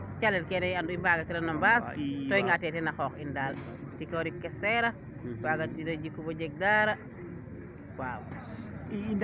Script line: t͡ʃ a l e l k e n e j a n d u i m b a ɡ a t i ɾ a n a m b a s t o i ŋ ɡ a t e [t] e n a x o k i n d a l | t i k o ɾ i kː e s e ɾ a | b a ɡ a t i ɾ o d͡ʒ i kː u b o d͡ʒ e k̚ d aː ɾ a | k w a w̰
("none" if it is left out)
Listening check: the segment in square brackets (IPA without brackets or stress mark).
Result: t